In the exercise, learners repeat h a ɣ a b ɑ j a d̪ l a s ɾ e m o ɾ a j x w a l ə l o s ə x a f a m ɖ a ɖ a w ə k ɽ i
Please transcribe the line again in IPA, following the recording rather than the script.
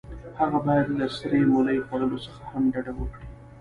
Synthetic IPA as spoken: h a ɣ a b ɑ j a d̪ l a s ɾ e m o l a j x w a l ə l o s ə x a h a m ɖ a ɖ a w ə k ɽ i